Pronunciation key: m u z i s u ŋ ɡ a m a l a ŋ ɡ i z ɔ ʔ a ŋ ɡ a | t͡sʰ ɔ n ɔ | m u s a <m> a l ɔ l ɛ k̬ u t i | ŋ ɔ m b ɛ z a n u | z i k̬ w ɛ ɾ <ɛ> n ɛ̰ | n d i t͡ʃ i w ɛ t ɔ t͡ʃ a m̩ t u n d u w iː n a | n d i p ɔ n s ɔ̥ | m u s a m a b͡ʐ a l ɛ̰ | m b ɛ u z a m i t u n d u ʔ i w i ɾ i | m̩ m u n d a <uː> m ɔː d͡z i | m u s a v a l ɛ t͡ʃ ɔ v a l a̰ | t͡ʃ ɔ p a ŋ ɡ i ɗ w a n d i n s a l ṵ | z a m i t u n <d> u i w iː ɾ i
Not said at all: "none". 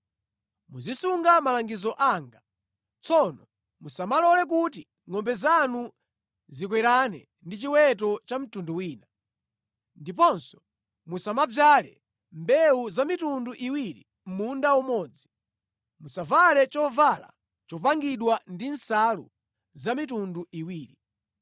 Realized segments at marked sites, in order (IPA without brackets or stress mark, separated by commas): m, a, u, d